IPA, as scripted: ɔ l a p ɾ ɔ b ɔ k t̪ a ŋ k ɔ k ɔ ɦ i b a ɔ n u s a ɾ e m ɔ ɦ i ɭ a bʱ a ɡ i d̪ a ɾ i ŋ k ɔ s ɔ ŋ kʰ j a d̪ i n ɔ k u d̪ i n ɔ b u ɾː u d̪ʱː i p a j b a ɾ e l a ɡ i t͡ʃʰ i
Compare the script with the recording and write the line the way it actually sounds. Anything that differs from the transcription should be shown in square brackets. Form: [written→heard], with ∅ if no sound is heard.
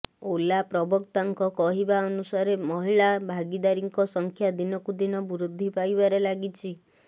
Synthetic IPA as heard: [ɔ→o] l a p ɾ ɔ b ɔ k t̪ a ŋ k ɔ k ɔ ɦ i b a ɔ n u s a ɾ e m ɔ ɦ i ɭ a bʱ a ɡ i d̪ a ɾ i ŋ k ɔ s ɔ ŋ kʰ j a d̪ i n ɔ k u d̪ i n ɔ b u [ɾː→ɾ] u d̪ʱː i p a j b a ɾ e l a ɡ i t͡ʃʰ i